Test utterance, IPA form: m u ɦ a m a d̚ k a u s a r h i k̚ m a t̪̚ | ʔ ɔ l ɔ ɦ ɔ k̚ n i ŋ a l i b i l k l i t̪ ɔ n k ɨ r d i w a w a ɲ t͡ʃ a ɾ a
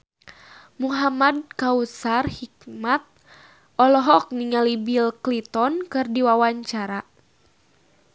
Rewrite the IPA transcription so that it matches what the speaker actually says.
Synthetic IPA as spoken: m u ɦ a m a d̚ k a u s a r h i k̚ m a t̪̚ | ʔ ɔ l ɔ ɦ ɔ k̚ n i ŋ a l i b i l k l i t̪ ɔ n k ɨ r d i w a w a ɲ t͡ʃ a ɾ a